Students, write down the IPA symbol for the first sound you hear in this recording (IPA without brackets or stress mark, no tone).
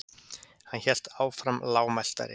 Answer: h